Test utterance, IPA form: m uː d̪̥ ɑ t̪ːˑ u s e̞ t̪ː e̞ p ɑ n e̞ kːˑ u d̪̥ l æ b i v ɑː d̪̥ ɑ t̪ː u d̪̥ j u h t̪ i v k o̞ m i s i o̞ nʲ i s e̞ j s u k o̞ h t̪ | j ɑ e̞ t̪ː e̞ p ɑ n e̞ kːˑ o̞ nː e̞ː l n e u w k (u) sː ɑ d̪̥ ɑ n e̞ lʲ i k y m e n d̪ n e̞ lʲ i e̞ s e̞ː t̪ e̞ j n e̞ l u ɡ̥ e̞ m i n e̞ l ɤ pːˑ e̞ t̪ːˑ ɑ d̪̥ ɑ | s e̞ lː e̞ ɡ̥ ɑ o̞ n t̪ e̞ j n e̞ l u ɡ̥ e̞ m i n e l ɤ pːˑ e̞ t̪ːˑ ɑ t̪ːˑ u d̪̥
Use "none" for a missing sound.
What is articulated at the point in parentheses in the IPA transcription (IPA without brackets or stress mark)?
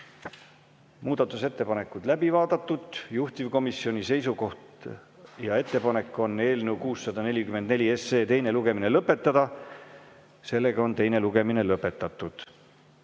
uː